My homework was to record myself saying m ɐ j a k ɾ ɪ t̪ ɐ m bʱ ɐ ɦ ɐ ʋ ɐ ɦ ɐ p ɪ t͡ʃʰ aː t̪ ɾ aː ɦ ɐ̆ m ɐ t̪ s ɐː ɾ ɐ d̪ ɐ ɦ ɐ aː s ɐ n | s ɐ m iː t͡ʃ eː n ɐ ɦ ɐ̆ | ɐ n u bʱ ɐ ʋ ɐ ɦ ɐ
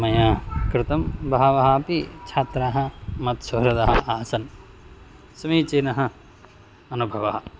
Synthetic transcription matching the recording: m ɐ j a k ɾ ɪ t̪ ɐ m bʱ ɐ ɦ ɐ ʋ ɐ ɦ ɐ p i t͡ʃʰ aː t̪ ɾ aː ɦ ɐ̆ m ɐ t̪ s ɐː ɾ ɐ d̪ ɐ ɦ ɐ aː s ɐ n | s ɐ m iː t͡ʃ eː n ɐ ɦ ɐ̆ | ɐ n u bʱ ɐ ʋ ɐ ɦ ɐ

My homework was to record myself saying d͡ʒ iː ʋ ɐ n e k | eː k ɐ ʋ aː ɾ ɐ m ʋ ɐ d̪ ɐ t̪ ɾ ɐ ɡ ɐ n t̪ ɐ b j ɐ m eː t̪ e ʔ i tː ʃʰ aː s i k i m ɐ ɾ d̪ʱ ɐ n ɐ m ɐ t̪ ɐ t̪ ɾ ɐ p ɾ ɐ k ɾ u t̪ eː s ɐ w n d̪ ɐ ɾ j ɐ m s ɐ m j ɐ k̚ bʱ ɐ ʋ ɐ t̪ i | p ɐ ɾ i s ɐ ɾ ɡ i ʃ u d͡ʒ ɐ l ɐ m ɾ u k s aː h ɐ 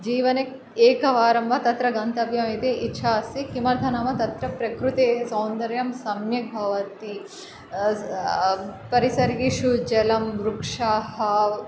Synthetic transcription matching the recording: d͡ʒ iː ʋ ɐ n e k | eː k ɐ ʋ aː ɾ ɐ m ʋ ɐ t̪ ɐ t̪ ɾ ɐ ɡ ɐ n t̪ ɐ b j ɐ m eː t̪ e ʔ i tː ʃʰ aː s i k i m ɐ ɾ d̪ʱ ɐ n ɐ m ɐ t̪ ɐ t̪ ɾ ɐ p ɾ ɐ k ɾ u t̪ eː s ɐ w n d̪ ɐ ɾ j ɐ m s ɐ m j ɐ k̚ bʱ ɐ ʋ ɐ t̪ i | p ɐ ɾ i s ɐ ɾ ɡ i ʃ u d͡ʒ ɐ l ɐ m ɾ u k ʂ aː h ɐ

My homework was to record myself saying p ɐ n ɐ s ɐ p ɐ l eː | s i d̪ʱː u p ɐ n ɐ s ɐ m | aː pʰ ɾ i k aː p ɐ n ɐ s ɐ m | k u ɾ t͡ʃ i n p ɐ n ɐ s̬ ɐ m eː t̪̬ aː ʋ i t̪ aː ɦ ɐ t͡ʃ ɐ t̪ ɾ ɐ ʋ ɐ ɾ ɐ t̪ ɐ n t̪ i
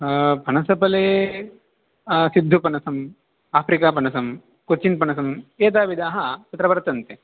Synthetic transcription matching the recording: p ɐ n ɐ s ɐ p ɐ l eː | s i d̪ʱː u p ɐ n ɐ s ɐ m | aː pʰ ɾ i k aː p ɐ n ɐ s ɐ m | k u ɾ t͡ʃ i n p ɐ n ɐ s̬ ɐ m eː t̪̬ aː ʋ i d̪ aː ɦ ɐ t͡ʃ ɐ t̪ ɾ ɐ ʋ ɐ ɾ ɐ t̪ ɐ n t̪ e

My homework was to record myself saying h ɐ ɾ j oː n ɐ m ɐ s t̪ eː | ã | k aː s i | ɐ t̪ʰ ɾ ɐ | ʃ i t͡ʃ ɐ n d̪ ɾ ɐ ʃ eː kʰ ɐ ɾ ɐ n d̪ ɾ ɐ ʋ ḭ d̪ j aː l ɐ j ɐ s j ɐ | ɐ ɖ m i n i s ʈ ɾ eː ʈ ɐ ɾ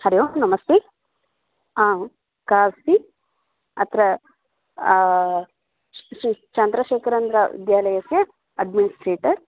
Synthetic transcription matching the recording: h ɐ ɾ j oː n ɐ m ɐ s t̪ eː | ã | k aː s i | ɐ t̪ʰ ɾ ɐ | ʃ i t͡ʃ ɐ n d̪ ɾ ɐ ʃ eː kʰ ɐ ɾ ɐ n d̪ ɾ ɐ ʋ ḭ d̪ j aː l ɐ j ɐ s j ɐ | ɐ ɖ m i n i s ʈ ɾ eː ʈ ɐ ɾ

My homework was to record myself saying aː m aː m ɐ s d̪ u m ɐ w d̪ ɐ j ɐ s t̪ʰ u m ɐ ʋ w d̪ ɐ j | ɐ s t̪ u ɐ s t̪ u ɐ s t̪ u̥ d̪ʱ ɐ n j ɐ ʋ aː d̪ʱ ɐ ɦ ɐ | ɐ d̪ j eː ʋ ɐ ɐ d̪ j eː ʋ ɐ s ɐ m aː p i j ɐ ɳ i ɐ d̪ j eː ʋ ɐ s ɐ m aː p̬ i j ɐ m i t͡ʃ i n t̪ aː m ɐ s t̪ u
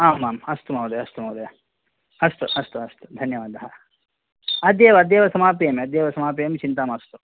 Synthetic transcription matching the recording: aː m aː m ɐ s t̪ u m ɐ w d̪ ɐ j ɐ s t̪ u m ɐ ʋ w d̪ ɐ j | ɐ s t̪ u ɐ s t̪ u ɐ s t̪ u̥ d̪ʱ ɐ n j ɐ ʋ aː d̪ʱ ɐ ɦ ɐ | ɐ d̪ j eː ʋ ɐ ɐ d̪ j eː ʋ ɐ s ɐ m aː p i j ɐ m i ɐ d̪ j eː ʋ ɐ s ɐ m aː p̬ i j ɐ m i t͡ʃ i n t̪ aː m ɐ s t̪ u

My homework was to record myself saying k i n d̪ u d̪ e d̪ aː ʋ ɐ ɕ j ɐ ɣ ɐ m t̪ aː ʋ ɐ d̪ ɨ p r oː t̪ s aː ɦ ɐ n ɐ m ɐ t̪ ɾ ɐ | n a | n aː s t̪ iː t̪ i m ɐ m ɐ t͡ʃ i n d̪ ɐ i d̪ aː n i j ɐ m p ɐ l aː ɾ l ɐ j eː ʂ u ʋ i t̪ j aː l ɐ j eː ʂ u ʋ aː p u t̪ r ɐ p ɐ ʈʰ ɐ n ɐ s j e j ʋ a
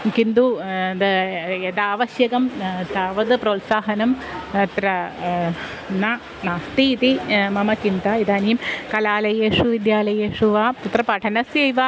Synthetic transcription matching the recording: k i n d̪ u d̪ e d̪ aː ʋ ɐ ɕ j ɐ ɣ ɐ m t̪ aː ʋ ɐ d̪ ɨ p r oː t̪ s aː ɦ ɐ n ɐ m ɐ t̪ ɾ ɐ | n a | n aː s t̪ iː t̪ i m ɐ m ɐ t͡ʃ i n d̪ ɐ i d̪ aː n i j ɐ m k ɐ l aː l ɐ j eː ʂ u ʋ i d̪ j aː l ɐ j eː ʂ u ʋ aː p u t̪ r ɐ p ɐ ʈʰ ɐ n ɐ s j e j ʋ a

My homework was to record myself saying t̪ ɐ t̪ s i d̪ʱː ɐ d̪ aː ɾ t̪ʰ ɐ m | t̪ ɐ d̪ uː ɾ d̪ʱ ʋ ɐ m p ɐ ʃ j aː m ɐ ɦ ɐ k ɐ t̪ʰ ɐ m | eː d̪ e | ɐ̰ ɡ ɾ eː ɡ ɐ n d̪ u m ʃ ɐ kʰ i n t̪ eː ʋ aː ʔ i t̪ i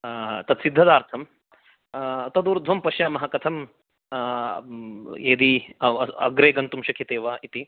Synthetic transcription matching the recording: t̪ ɐ t̪ s i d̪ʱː ɐ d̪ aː ɾ t̪ʰ ɐ m | t̪ ɐ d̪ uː ɾ d̪ʱ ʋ ɐ m p ɐ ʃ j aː m ɐ ɦ ɐ k ɐ t̪ʰ ɐ m | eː d̪ i | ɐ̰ ɡ ɾ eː ɡ ɐ n t̪ u m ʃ ɐ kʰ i t̪ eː ʋ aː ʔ i t̪ i

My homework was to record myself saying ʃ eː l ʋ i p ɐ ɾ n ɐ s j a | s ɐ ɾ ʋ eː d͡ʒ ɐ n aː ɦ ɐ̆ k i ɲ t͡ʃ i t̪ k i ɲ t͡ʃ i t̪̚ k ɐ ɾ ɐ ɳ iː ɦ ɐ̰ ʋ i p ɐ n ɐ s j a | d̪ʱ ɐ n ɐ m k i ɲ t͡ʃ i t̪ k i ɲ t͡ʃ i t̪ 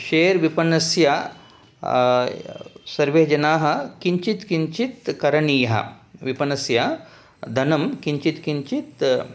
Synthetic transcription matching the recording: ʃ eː ɾ ʋ i p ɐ n ɐ s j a | s ɐ ɾ ʋ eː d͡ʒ ɐ n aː ɦ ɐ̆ k i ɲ t͡ʃ i t̪ k i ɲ t͡ʃ i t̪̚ k ɐ ɾ ɐ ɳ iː ɦ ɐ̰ ʋ i p ɐ n ɐ s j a | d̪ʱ ɐ n ɐ m k i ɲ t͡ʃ i t̪ k i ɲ t͡ʃ i t̪

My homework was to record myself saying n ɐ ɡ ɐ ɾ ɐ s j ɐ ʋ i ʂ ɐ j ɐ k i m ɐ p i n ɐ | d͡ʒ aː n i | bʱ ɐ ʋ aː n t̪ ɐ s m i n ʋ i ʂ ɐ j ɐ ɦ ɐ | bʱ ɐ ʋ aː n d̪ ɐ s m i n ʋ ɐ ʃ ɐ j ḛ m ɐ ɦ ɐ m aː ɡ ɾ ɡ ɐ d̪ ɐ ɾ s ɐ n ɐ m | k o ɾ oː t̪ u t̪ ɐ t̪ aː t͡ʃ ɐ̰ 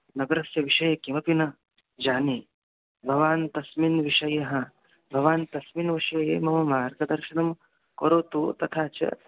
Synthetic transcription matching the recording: n ɐ ɡ ɐ ɾ ɐ s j ɐ ʋ i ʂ ɐ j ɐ k i m ɐ p i n ɐ | d͡ʒ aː n i | bʱ ɐ ʋ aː n t̪ ɐ s m i n ʋ i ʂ ɐ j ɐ ɦ ɐ | bʱ ɐ ʋ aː n t̪ ɐ s m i n ʋ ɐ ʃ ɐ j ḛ m ɐ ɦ ɐ m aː ɾ ɡ ɐ d̪ ɐ ɾ ʃ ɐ n ɐ m | k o ɾ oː t̪ u t̪ ɐ t̪ʰ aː t͡ʃ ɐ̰

